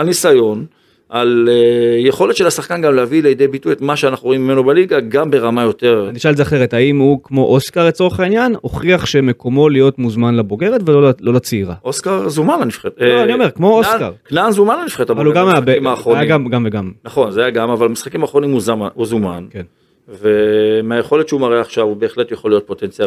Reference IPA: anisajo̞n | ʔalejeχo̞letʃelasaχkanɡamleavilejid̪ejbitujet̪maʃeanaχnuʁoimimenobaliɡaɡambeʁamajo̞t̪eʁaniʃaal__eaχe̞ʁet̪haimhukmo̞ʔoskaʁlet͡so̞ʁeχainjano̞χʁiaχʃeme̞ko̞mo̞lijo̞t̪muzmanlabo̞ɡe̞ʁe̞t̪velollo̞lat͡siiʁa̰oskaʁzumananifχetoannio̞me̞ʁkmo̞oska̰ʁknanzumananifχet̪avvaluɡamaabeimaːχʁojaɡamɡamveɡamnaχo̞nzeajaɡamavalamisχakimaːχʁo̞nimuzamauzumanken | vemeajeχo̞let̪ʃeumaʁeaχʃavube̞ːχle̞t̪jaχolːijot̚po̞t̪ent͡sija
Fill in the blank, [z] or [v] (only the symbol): z